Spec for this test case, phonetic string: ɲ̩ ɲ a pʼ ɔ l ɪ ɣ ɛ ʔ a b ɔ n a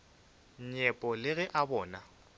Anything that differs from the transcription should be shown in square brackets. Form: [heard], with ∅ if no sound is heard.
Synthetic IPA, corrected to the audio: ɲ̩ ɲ [ɛ] pʼ ɔ l ɪ ɣ ɛ ʔ a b [ɔː] n a

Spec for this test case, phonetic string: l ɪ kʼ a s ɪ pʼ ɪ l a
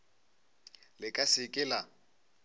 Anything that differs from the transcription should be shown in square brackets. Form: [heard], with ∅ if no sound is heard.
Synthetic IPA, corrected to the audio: l ɪ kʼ a s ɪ [kʼ] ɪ l a

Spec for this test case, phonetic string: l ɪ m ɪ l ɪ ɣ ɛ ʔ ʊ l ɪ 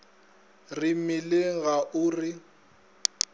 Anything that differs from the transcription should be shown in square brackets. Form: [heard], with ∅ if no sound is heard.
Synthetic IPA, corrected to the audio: [r] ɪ m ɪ l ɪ ɣ [a] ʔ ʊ [r] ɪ

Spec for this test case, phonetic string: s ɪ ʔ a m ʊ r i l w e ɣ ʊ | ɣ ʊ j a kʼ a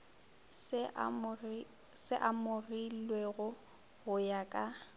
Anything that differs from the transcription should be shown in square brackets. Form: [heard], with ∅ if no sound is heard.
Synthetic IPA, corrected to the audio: s ɪ ʔ a m ʊ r i l w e ɣ ʊ | ɣ ʊ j a kʼ a

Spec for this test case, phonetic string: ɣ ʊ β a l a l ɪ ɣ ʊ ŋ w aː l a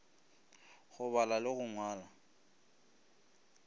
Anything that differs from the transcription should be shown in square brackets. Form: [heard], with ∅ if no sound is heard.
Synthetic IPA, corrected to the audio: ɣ ʊ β a l a l ɪ ɣ ʊ ŋ w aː l a

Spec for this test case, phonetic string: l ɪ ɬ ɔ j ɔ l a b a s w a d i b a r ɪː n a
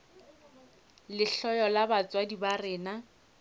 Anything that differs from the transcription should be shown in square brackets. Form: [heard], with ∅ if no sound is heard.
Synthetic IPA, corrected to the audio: l ɪ ɬ ɔ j ɔ l a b a [t͡s] w a d i b a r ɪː n a

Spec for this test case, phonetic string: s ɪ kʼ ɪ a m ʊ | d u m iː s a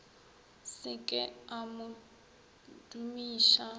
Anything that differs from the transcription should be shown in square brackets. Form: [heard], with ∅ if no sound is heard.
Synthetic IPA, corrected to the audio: s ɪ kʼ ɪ a m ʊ | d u m iː [ʃ] a

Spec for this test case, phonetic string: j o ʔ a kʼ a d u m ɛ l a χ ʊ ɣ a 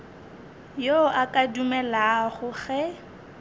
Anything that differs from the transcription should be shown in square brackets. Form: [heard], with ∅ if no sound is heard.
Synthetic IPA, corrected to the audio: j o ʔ a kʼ a d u m ɛ l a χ ʊ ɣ [ɛ]

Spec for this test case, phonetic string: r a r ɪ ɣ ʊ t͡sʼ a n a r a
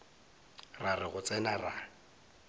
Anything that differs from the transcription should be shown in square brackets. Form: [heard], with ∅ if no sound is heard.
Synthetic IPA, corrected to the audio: r a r ɪ ɣ ʊ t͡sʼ [ɛ] n a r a

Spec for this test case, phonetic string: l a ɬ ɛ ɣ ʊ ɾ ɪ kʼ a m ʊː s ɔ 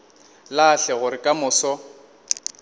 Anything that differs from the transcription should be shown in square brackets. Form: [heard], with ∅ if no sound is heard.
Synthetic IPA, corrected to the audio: l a ɬ ɛ ɣ ʊ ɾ ɪ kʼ a m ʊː s ɔ

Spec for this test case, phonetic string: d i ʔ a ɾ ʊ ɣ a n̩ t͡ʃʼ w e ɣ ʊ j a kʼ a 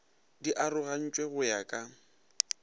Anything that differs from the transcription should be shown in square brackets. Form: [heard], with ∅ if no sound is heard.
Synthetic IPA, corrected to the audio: d i ʔ a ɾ ʊ ɣ a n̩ t͡ʃʼ w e ɣ ʊ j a kʼ a

